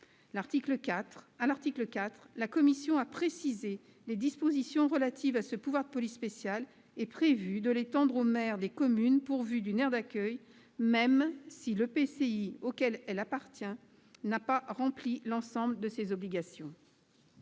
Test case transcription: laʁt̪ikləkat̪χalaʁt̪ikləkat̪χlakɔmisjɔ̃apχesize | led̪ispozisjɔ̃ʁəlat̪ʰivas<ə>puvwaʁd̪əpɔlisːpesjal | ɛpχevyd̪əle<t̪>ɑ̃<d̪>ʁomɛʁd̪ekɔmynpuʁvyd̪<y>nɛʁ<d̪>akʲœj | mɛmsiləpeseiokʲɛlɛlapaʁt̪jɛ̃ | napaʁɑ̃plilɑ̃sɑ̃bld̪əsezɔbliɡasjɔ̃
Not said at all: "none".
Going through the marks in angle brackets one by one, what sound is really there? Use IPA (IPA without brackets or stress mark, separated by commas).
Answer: ə, t̪, d̪, y, d̪